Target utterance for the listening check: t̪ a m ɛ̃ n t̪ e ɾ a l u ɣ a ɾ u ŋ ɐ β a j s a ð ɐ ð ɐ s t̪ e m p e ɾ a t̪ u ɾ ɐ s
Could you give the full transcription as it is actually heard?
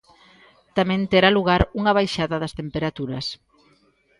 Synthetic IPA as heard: t̪ a m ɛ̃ n t̪ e ɾ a l u ɣ a ɾ u ŋ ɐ β a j ʃ a ð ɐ ð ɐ s t̪ e m p e ɾ a t̪ u ɾ ɐ s